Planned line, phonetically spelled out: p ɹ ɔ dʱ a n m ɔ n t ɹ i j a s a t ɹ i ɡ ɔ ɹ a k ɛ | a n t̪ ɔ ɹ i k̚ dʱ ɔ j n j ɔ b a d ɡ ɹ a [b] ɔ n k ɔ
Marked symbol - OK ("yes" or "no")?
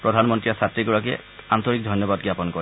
no